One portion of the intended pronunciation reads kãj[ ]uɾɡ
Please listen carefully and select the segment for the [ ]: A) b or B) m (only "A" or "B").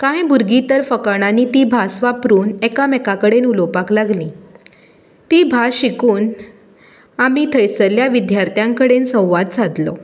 A